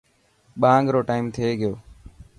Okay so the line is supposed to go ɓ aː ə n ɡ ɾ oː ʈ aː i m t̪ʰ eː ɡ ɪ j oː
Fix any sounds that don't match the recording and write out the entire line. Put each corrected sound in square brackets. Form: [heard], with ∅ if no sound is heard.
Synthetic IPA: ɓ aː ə [ŋ] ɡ ɾ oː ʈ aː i m t̪ʰ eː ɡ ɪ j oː